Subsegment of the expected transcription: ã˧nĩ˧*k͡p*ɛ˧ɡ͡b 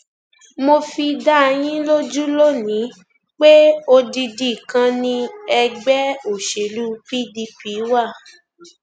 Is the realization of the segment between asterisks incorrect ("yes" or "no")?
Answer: yes